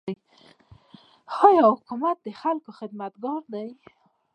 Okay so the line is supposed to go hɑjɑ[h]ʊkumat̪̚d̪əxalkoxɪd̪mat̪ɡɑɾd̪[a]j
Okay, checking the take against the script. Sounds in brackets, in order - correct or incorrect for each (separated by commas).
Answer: correct, correct